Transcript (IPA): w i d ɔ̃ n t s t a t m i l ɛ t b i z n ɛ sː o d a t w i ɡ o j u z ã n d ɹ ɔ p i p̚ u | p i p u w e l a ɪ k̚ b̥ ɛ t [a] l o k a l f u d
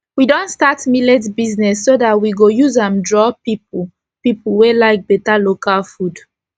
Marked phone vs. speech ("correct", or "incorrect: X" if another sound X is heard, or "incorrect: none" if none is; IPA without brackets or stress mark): correct